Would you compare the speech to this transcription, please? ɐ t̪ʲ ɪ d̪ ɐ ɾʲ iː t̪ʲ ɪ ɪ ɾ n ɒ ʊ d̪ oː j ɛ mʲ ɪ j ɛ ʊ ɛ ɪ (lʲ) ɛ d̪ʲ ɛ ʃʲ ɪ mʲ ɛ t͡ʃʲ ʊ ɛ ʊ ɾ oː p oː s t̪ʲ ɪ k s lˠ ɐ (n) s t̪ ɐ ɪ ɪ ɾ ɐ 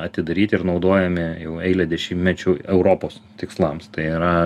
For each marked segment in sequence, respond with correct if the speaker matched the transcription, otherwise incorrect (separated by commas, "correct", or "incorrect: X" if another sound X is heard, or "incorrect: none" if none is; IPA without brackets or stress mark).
correct, incorrect: m